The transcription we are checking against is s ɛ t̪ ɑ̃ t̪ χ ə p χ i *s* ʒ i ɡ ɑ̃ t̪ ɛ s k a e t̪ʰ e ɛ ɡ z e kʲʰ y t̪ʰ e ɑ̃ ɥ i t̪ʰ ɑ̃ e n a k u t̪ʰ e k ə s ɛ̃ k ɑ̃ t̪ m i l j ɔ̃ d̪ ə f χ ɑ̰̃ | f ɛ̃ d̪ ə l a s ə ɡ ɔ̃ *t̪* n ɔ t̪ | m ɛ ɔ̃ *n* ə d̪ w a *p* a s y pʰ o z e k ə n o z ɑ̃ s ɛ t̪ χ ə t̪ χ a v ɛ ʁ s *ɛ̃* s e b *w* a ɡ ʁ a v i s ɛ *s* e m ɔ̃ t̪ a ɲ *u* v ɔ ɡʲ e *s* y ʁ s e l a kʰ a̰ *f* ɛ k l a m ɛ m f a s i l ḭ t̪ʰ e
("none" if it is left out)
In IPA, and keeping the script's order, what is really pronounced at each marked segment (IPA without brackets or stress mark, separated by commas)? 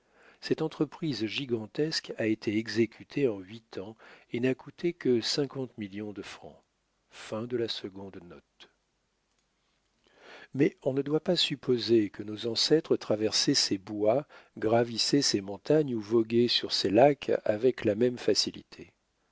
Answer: z, d̪, n, p, ɛ, w, s, u, s, v